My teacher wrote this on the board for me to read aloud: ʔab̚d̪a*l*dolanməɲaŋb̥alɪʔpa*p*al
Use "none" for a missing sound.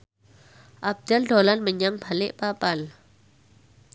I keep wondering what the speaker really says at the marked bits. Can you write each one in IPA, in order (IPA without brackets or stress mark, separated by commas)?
l, p